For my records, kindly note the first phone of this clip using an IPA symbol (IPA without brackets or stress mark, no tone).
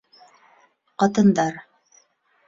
q